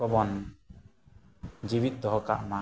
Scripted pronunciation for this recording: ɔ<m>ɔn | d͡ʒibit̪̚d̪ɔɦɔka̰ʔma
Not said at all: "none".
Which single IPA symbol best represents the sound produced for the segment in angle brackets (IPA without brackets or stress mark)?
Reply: b